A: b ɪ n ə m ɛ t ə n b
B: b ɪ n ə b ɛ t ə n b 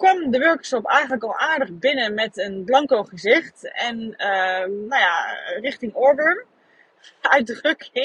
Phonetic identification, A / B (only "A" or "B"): A